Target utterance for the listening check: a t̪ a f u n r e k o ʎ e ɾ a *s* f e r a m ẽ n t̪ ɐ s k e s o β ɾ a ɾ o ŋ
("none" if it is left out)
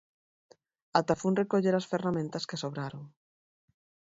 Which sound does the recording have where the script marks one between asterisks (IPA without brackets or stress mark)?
s